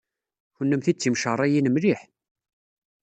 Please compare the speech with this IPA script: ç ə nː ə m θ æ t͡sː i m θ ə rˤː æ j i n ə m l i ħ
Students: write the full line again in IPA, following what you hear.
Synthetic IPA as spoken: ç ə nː ə m θ i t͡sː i m ʃ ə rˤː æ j i n ə m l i ħ